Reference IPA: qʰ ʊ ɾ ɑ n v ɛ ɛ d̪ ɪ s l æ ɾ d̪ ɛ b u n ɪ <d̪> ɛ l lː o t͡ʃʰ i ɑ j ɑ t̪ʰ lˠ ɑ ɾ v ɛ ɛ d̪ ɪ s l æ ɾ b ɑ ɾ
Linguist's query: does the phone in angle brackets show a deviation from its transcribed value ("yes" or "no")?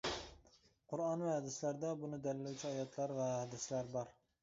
no